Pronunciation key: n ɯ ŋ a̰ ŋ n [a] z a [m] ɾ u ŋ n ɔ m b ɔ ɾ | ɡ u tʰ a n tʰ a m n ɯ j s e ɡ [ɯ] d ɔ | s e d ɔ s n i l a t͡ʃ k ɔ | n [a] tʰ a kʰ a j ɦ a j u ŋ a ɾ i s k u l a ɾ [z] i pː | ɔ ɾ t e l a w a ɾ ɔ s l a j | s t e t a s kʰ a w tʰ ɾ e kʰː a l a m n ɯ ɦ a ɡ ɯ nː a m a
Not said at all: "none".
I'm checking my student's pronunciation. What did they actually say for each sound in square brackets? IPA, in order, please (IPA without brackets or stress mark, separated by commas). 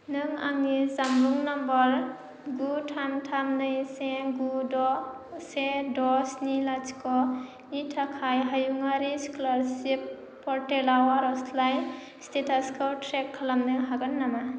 i, m, u, i, s